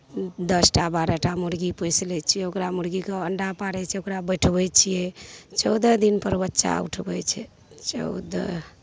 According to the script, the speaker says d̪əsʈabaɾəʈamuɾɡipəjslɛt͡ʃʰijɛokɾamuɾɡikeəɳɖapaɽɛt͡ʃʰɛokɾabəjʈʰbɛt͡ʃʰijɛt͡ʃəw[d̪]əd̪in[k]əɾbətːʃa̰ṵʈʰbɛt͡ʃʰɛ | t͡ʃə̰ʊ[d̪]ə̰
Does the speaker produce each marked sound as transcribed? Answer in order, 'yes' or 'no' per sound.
yes, no, yes

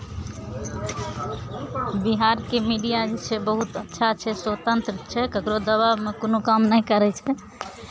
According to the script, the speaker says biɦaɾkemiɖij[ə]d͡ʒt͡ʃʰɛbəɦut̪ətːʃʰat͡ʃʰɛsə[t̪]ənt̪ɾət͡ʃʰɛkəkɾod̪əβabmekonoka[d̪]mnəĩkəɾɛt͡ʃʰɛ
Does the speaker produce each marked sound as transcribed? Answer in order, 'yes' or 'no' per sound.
no, yes, no

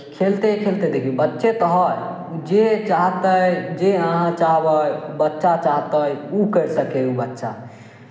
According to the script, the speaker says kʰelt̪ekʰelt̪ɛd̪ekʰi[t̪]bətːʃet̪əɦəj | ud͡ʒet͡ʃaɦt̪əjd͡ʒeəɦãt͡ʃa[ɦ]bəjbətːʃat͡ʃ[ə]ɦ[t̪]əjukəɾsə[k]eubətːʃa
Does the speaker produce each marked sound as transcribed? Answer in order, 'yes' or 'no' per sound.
no, yes, no, yes, yes

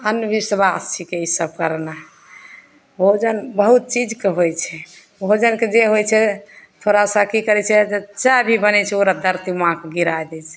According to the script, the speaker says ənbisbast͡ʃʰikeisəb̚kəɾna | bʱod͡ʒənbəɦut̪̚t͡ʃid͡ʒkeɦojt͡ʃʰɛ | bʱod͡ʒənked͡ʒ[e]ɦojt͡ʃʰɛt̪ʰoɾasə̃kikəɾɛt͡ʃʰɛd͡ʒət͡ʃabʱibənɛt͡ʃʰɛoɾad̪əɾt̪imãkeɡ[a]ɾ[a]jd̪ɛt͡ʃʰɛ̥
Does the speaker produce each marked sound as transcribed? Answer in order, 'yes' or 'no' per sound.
yes, no, yes

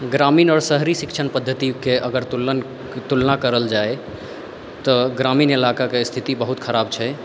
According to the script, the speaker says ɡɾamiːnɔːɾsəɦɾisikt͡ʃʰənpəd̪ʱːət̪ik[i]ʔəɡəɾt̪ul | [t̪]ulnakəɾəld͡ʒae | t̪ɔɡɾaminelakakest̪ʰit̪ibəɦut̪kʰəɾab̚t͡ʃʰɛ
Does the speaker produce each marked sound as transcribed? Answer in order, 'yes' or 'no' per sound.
no, yes

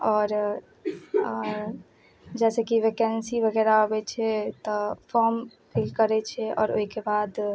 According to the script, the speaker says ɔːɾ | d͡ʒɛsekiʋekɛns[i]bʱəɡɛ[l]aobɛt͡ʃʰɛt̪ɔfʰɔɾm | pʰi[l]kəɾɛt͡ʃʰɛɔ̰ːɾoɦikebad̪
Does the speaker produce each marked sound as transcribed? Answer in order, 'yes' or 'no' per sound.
yes, no, yes

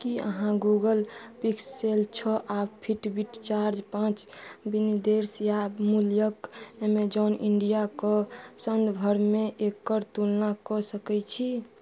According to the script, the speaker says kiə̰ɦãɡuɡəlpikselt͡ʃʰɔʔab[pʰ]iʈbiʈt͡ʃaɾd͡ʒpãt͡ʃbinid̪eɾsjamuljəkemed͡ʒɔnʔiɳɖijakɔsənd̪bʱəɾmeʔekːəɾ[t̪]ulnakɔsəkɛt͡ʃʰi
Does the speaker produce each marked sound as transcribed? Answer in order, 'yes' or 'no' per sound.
yes, yes

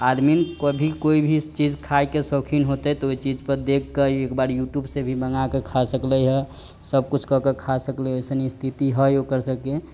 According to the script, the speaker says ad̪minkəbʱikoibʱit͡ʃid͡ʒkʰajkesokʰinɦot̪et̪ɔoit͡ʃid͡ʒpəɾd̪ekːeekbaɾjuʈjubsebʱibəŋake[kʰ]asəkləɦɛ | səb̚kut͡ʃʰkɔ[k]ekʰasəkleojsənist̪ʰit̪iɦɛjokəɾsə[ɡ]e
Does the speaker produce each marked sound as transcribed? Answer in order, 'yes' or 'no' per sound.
yes, yes, no

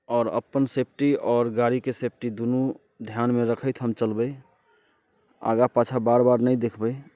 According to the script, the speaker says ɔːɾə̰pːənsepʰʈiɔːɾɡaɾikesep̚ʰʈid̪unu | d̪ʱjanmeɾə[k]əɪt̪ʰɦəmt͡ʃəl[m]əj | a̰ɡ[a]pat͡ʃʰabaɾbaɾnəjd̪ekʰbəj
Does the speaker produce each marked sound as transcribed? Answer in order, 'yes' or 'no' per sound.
no, no, yes

